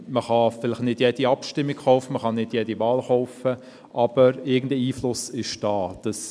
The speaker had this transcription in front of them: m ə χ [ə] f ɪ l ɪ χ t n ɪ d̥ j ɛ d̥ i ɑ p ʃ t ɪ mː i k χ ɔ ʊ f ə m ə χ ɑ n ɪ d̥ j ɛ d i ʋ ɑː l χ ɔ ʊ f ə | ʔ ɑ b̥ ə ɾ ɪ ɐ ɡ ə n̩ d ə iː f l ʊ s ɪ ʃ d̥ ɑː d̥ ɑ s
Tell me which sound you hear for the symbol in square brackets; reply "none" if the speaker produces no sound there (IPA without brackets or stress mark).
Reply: ɑ